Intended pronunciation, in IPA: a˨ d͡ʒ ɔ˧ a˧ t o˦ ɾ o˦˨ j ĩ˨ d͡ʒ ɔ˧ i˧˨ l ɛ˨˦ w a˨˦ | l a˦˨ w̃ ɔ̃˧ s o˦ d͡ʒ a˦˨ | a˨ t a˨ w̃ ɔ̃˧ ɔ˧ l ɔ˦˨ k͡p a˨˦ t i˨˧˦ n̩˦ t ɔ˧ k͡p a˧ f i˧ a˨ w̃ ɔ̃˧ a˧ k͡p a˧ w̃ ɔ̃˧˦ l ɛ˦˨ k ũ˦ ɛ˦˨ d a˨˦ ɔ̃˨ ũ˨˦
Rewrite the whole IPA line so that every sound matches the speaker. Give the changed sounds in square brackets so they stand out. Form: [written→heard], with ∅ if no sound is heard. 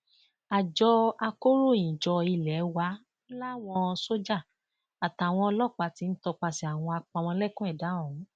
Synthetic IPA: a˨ d͡ʒ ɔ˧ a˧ [t→k] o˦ ɾ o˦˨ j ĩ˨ d͡ʒ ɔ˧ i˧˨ l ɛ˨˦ w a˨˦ | l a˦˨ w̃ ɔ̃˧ s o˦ d͡ʒ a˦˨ | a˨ t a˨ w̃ ɔ̃˧ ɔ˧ l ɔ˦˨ k͡p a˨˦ t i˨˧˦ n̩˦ t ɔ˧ k͡p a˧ [f→s] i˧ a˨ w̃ ɔ̃˧ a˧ k͡p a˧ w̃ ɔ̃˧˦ l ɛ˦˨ k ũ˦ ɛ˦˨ d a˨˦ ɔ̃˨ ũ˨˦